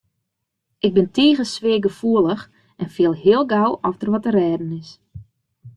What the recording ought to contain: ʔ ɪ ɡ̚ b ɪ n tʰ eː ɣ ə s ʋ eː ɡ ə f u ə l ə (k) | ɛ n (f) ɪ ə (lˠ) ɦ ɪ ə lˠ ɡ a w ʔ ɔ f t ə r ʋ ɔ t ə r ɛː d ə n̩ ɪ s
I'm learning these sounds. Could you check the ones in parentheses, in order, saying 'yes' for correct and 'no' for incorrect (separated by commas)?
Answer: no, yes, yes